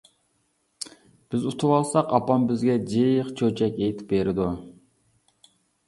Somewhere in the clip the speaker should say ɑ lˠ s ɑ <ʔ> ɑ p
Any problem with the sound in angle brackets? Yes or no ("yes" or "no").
yes